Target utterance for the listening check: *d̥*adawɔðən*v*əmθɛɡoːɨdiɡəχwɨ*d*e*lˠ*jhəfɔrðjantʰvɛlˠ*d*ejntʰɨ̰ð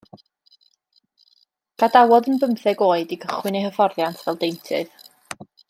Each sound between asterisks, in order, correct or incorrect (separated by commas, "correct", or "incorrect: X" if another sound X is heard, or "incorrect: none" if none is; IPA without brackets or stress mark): incorrect: ɡ̥, incorrect: b, incorrect: n, incorrect: none, correct